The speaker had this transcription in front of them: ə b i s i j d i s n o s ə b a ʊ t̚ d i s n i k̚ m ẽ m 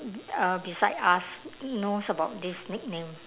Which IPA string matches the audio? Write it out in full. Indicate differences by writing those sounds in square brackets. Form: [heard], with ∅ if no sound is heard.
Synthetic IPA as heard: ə b i s [a] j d [a] s n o s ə b a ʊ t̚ d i s n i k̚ [n] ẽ m